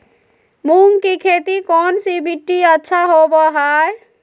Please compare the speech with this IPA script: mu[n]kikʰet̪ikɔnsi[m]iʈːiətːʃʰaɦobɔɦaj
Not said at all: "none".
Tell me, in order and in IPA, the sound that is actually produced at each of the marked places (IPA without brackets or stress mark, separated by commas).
ŋ, b